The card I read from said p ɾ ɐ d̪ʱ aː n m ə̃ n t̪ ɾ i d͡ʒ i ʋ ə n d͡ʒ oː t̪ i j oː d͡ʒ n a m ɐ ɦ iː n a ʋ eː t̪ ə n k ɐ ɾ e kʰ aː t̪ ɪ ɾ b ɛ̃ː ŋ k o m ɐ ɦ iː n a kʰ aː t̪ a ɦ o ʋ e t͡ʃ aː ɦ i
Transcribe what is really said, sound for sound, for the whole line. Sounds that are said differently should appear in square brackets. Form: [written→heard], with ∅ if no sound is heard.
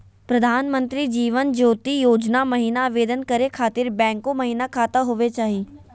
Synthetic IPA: p ɾ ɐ d̪ʱ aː n m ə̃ n t̪ ɾ i d͡ʒ [i→iː] ʋ ə n d͡ʒ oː t̪ i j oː d͡ʒ n a m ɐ ɦ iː n a ʋ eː [t̪→d̪] ə n k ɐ ɾ e kʰ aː t̪ ɪ ɾ b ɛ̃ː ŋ k o m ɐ ɦ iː n a kʰ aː t̪ a ɦ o ʋ e t͡ʃ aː ɦ i